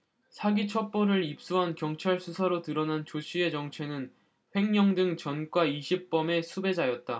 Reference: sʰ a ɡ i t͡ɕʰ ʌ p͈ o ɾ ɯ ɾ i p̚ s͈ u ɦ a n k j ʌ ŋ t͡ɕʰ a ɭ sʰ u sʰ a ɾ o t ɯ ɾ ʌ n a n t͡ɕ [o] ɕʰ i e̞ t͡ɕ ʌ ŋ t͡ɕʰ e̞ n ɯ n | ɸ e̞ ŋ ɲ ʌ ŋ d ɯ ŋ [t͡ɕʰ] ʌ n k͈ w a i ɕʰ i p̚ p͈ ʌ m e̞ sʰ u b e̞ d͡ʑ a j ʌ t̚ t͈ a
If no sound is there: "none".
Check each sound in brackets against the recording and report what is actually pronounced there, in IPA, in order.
o, t͡ɕ

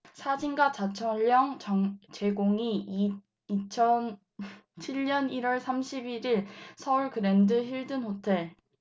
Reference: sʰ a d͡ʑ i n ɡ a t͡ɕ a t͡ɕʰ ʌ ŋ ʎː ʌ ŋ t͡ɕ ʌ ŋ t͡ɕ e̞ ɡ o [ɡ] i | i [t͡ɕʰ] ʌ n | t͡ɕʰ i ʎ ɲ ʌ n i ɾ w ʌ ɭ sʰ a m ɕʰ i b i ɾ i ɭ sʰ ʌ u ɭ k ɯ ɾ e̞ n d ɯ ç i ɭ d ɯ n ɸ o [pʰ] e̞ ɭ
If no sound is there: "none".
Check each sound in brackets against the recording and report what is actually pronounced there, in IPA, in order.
ŋ, t͡ɕʰ, tʰ

